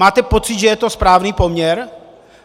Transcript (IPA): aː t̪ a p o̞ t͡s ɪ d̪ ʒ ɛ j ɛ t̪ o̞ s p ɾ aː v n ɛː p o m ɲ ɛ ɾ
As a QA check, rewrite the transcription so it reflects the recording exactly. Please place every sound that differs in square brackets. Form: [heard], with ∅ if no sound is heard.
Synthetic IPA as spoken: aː t̪ [ɛ] p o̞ t͡s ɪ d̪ ʒ ɛ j ɛ t̪ o̞ s p ɾ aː v n [iː] p o m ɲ ɛ ɾ